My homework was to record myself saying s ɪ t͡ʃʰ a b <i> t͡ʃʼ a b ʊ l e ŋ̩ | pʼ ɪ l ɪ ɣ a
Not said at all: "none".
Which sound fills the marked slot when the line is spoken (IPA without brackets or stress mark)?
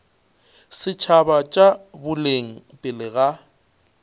a